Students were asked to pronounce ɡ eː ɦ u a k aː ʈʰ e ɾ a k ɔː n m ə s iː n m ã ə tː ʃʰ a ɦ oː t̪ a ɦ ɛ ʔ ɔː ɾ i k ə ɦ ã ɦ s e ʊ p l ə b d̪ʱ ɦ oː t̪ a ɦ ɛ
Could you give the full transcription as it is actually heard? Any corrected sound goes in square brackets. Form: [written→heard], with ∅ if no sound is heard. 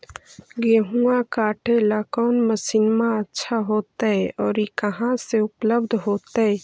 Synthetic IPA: ɡ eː ɦ u a k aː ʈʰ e [ɾ→l] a k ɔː n m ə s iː n m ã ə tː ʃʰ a ɦ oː t̪ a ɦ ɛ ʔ ɔː ɾ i k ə ɦ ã [ɦ→∅] s e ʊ p l ə b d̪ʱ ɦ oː t̪ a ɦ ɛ